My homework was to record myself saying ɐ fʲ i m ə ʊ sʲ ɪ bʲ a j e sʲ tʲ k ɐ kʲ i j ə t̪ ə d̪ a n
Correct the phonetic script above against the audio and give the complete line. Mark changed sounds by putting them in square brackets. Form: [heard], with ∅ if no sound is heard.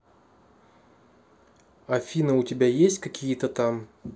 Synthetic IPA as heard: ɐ fʲ i [n] ə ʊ [tʲ] ɪ bʲ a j e sʲ tʲ k ɐ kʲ i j ə t̪ ə [t̪] a [m]